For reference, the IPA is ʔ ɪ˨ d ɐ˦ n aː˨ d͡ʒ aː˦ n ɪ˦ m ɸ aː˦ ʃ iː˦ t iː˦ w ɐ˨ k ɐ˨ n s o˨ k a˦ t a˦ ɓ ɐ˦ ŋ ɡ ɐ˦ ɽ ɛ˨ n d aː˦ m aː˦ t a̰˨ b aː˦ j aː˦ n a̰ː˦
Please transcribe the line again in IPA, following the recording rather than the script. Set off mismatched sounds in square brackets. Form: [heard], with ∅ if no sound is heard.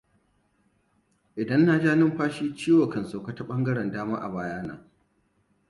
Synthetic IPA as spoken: ʔ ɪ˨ d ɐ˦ [nː] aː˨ d͡ʒ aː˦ n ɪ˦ m ɸ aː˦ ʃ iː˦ [t͡ʃ] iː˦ w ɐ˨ k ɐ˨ n s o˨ k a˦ t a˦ ɓ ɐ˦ ŋ ɡ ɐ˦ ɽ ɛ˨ n d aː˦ m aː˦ [ʔ] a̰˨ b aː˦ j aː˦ n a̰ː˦

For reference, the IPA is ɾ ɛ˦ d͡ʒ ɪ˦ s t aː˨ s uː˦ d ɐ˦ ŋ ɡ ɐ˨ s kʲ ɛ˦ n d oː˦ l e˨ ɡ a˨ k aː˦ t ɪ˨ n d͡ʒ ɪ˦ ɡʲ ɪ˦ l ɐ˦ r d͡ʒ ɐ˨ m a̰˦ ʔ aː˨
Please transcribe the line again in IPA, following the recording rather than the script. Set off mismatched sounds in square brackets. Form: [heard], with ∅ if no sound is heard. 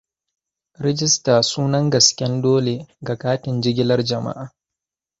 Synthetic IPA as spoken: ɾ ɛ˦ d͡ʒ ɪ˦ s t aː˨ s uː˦ [n] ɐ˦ ŋ ɡ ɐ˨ s kʲ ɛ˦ n d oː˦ l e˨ ɡ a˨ k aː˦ t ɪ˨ n d͡ʒ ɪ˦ ɡʲ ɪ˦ l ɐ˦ r d͡ʒ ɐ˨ m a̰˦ ʔ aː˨

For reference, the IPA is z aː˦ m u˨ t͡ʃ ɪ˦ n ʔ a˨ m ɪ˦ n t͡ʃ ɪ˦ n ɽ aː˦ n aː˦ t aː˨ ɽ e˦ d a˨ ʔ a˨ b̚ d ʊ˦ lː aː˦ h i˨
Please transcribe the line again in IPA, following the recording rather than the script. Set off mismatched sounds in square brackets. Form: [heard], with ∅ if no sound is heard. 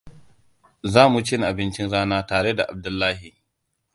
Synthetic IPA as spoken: z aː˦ m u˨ t͡ʃ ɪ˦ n ʔ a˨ [b] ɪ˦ n t͡ʃ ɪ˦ n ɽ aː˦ n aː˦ t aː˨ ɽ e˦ d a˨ ʔ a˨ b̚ d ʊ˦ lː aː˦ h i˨

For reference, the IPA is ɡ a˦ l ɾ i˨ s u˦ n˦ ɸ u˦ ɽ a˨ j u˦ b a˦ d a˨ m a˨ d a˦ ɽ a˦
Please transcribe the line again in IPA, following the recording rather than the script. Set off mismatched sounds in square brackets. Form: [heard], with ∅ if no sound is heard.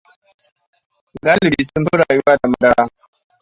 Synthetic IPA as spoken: ɡ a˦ l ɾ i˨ s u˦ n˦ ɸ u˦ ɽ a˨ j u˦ [w] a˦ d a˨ m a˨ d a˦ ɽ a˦

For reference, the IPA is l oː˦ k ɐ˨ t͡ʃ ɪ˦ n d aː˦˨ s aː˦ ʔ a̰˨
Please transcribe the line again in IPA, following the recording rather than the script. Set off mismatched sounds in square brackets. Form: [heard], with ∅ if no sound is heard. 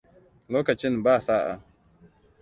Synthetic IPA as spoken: l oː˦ k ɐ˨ t͡ʃ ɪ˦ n [b] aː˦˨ s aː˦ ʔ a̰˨

